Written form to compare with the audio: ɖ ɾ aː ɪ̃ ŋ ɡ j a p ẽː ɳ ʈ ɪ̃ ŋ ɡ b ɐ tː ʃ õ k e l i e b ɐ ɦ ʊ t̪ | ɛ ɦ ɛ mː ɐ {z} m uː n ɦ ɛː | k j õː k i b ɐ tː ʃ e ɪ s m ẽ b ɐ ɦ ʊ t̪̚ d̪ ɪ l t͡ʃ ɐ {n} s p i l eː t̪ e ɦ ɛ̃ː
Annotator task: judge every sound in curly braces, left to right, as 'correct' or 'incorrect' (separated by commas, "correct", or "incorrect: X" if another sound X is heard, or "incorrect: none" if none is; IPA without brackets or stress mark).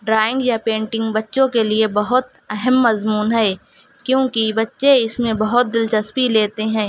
correct, incorrect: none